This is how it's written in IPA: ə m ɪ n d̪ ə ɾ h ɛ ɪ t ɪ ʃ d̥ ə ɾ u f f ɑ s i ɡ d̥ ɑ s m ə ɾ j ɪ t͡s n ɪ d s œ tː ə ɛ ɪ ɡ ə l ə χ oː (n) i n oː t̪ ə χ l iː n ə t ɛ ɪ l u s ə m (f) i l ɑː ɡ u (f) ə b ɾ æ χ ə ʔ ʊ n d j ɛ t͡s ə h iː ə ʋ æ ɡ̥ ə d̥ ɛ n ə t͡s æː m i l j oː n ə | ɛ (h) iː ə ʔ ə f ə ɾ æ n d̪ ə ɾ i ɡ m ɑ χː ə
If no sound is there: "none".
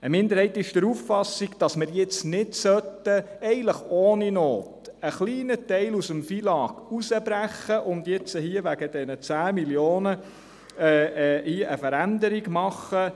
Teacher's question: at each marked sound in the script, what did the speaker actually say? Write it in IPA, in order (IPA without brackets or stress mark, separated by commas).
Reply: n, f, s, h